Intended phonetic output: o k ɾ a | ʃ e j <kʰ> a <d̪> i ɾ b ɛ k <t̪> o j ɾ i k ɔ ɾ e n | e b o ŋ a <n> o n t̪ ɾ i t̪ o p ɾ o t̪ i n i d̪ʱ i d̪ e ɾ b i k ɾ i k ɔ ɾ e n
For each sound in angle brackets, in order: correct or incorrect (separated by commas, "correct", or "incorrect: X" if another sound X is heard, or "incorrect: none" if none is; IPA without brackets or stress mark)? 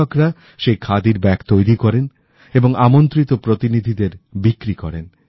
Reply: correct, correct, correct, incorrect: m